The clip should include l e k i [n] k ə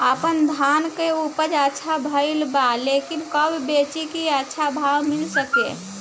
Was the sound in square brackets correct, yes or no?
yes